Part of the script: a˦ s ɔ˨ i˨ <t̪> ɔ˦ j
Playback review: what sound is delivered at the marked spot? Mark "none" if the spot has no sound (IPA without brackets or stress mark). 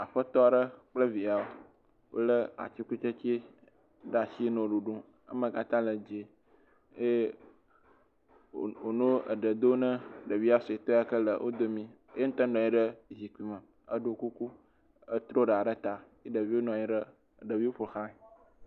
t̪